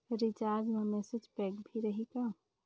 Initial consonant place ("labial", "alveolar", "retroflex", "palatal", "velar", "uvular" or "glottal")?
alveolar